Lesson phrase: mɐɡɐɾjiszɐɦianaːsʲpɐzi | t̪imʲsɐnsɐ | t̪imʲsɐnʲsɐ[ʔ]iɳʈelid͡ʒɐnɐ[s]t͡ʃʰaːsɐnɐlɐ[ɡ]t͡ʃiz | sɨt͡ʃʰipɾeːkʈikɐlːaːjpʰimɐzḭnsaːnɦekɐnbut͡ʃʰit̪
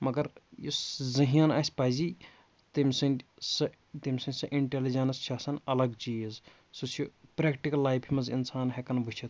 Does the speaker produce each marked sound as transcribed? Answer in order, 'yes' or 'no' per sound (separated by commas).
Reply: yes, yes, yes